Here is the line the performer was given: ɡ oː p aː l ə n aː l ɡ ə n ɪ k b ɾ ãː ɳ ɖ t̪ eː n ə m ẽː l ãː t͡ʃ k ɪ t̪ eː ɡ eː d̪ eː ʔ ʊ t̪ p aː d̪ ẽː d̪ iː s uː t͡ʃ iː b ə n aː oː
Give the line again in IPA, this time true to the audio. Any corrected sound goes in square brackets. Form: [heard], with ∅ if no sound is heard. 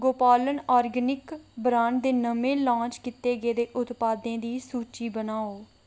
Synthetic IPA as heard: ɡ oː p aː l ə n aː [ɾ] ɡ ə n ɪ k b ɾ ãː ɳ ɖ [d̪] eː n ə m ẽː l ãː t͡ʃ k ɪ t̪ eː ɡ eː d̪ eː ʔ ʊ t̪ p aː d̪ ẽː d̪ iː s uː t͡ʃ iː b ə n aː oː